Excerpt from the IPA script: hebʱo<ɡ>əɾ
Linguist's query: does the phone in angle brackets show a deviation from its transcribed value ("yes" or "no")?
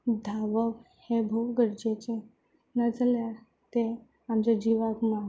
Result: no